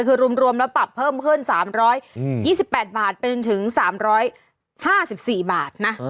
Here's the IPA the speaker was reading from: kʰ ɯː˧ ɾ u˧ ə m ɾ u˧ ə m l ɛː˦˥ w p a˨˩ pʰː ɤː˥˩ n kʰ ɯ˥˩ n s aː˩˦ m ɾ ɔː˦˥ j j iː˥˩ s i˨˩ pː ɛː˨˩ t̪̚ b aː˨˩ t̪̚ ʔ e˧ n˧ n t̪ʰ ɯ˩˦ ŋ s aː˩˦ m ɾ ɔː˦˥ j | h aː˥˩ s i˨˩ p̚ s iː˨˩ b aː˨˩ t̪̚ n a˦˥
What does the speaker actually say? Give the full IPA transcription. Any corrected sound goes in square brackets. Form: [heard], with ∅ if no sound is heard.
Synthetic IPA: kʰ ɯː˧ ɾ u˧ ə m ɾ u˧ ə m l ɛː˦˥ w p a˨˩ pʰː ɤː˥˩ [m] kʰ ɯ˥˩ n s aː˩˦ m ɾ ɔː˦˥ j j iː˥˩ s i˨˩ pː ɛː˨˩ t̪̚ b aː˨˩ t̪̚ [p] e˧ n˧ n t̪ʰ ɯ˩˦ ŋ s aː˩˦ m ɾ ɔː˦˥ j | h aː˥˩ s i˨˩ p̚ s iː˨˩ b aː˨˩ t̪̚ n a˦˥